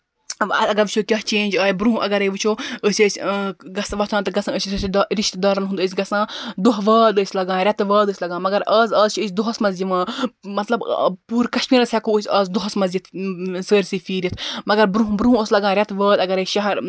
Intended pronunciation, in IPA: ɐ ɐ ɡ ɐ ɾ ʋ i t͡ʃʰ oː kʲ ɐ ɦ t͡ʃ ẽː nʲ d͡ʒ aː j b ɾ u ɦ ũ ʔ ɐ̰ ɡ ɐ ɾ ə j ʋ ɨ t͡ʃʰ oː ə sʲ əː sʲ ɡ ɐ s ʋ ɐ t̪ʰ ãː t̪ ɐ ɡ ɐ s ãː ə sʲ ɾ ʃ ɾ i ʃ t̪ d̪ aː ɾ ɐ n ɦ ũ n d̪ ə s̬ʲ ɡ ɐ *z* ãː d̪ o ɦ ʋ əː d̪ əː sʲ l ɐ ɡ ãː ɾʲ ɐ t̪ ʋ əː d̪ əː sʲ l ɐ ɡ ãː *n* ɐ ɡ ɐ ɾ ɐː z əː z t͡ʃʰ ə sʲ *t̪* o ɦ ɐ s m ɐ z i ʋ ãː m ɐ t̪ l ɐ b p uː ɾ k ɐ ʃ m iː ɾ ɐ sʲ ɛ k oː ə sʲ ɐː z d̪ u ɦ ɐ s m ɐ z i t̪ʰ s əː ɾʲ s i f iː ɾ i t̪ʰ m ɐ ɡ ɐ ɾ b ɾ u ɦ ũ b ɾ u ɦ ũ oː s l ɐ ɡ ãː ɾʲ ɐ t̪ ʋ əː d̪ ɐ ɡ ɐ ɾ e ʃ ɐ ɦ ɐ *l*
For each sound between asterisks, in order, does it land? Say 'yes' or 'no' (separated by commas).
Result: no, no, no, no